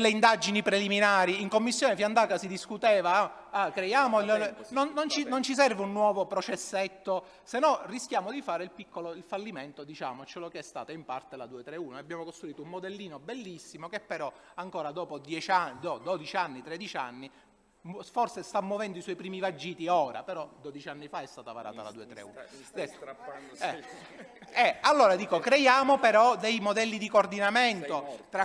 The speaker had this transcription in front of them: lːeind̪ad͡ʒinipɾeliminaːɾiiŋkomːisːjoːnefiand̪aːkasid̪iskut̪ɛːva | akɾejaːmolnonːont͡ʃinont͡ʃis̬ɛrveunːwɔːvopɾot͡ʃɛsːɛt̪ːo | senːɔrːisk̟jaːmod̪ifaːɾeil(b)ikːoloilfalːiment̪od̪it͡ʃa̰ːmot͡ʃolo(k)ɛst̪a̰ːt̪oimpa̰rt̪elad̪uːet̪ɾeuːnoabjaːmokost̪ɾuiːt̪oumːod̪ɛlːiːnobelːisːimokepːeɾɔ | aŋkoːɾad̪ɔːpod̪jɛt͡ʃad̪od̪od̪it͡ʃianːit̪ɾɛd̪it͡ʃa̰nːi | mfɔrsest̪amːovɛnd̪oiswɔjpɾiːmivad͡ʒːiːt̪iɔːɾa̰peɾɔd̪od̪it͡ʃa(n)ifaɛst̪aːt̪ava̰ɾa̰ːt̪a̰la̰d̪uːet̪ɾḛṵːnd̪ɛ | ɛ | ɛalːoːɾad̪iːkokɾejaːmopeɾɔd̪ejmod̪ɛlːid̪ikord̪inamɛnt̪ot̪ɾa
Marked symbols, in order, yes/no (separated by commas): no, yes, no